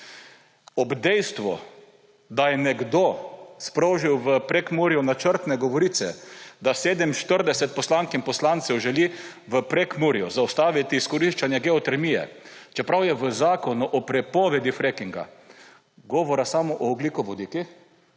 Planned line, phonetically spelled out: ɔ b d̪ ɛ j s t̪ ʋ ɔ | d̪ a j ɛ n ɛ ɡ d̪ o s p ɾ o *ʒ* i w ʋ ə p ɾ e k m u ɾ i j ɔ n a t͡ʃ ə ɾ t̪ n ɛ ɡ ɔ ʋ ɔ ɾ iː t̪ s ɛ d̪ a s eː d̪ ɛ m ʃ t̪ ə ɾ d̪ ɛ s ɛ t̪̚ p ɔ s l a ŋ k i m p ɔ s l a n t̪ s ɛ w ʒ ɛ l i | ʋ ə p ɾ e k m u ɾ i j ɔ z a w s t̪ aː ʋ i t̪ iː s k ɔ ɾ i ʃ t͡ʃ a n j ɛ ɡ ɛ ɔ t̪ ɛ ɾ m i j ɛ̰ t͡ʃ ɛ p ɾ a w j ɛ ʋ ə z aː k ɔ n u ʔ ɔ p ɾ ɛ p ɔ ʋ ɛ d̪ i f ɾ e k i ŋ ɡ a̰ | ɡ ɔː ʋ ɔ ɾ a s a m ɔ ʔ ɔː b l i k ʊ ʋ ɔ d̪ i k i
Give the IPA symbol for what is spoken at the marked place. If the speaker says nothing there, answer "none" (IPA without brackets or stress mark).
ʒ